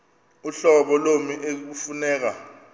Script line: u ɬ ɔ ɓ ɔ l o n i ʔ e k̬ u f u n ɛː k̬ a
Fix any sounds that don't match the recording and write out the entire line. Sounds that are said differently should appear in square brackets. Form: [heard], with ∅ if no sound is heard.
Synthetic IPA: u ɬ ɔ ɓ ɔ l o [m] i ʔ e k̬ u f u n ɛː k̬ a